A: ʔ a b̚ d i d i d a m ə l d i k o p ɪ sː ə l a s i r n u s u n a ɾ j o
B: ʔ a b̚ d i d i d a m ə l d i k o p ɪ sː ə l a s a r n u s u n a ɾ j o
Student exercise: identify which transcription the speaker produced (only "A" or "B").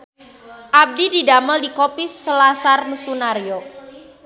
B